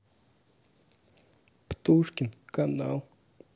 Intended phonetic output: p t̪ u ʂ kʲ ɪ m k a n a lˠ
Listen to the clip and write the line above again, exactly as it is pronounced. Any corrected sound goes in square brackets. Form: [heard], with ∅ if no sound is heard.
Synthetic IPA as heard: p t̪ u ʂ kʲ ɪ [n] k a n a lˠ